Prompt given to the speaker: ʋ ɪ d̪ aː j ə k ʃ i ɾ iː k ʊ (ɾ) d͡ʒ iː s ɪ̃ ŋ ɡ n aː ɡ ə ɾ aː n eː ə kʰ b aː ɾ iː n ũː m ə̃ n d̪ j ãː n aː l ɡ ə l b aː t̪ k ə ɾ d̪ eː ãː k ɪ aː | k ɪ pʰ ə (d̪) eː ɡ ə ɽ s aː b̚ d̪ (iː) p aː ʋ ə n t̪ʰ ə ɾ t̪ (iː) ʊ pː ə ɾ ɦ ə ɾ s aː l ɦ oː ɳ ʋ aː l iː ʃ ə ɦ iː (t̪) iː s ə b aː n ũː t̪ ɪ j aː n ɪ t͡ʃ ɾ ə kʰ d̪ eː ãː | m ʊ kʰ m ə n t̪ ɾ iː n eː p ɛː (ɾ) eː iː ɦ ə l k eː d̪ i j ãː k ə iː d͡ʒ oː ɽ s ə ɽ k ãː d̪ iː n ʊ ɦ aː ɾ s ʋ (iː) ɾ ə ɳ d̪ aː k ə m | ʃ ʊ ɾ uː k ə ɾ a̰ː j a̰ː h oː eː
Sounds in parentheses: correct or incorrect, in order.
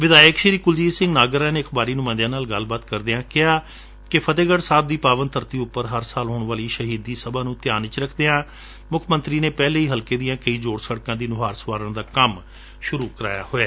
incorrect, incorrect, correct, correct, incorrect, incorrect, incorrect

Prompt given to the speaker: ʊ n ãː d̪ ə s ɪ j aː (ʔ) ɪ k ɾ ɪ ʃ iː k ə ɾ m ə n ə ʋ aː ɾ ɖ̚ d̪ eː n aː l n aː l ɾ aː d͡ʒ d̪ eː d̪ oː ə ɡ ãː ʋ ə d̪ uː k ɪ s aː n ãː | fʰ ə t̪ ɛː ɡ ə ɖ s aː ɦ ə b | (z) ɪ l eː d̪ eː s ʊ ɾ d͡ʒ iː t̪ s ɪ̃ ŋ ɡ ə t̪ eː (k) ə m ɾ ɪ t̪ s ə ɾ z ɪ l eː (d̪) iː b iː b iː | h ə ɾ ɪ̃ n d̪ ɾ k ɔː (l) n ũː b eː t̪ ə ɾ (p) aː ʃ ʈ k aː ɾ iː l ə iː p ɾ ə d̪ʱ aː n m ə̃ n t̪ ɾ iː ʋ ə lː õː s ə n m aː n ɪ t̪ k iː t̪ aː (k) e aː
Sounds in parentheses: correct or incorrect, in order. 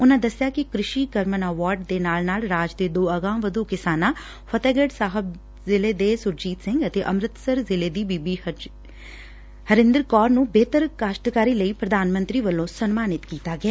incorrect, correct, incorrect, correct, incorrect, incorrect, incorrect

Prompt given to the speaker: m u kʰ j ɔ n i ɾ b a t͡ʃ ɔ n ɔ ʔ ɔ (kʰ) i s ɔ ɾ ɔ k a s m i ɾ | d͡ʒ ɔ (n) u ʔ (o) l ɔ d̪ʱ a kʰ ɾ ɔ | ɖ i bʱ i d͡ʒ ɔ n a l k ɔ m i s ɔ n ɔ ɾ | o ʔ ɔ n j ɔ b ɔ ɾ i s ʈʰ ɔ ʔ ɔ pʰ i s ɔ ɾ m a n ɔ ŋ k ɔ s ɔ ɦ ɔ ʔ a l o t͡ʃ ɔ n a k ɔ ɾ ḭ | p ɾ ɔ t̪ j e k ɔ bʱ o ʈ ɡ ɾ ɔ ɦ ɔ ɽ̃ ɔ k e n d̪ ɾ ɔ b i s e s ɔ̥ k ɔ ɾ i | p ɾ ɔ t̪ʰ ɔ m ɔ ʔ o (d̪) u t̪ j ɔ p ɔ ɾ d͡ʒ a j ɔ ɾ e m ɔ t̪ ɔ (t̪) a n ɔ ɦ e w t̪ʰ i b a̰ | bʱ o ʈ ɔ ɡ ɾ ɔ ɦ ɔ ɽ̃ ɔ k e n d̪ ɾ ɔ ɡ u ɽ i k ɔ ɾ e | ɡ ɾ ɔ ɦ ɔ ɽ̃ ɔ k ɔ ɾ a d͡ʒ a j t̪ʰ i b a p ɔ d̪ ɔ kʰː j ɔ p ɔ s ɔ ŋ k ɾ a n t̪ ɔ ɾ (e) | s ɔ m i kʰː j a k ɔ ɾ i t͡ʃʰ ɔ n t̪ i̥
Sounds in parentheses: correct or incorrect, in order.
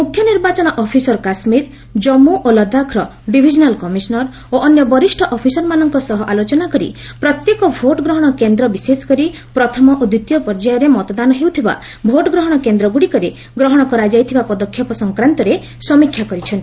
incorrect, incorrect, correct, correct, incorrect, correct

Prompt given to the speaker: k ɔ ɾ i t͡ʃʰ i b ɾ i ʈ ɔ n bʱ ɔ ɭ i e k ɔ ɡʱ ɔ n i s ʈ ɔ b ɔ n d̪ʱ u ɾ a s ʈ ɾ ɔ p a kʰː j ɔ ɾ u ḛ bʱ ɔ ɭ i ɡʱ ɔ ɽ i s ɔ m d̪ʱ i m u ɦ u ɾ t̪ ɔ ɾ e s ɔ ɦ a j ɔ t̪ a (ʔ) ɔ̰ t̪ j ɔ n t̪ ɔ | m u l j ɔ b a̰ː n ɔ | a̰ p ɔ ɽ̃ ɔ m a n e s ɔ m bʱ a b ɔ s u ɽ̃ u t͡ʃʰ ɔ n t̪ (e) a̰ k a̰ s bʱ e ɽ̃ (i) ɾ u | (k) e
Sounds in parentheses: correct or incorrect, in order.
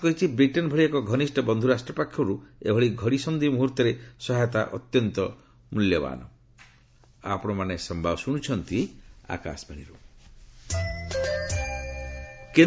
correct, incorrect, correct, correct

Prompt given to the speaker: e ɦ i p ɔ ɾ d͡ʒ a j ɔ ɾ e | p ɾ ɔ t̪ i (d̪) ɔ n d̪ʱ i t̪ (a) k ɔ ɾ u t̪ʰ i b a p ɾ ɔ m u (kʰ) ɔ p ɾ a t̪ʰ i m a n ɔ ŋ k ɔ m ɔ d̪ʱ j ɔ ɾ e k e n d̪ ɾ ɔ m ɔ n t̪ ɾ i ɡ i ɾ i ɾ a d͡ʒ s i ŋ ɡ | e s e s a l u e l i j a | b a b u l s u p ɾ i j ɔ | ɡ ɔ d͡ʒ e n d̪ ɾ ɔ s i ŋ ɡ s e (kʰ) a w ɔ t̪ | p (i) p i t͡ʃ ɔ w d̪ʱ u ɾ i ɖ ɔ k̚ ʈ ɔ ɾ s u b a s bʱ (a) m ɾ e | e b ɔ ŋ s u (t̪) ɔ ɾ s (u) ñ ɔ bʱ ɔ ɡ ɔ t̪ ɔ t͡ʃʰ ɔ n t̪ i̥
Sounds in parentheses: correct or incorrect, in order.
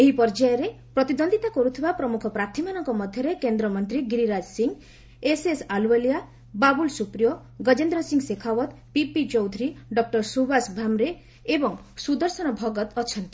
correct, correct, correct, correct, correct, correct, incorrect, incorrect

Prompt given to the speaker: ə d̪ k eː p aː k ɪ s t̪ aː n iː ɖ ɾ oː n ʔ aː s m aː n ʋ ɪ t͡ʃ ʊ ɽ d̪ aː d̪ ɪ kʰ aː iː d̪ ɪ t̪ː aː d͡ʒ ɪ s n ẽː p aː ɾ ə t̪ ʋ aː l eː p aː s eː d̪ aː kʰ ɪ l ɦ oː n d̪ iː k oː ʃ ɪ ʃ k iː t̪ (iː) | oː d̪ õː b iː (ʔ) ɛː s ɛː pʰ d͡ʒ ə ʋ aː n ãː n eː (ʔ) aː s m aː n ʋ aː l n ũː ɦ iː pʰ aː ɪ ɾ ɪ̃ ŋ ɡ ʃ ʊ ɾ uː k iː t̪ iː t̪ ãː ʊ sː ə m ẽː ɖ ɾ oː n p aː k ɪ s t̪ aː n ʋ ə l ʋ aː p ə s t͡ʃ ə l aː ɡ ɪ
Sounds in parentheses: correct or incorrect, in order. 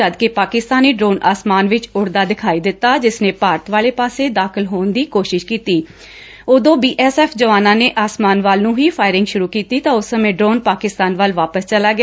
correct, correct, correct

